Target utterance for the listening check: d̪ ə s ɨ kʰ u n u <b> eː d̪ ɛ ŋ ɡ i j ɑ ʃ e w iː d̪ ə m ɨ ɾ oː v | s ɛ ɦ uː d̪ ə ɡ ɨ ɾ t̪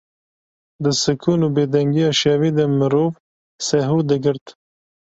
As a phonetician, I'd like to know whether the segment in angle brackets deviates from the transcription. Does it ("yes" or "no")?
no